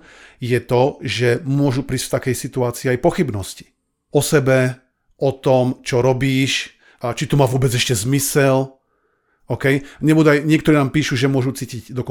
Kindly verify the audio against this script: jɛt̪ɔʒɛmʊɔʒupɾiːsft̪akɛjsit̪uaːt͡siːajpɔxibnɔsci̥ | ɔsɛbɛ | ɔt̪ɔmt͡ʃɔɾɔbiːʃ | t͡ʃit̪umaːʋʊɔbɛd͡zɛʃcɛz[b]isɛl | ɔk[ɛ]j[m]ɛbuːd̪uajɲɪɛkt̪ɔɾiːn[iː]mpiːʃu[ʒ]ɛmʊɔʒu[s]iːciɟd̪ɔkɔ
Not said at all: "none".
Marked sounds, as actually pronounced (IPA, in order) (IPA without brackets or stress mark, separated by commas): m, ɛ, ɲ, aː, ʒ, t͡s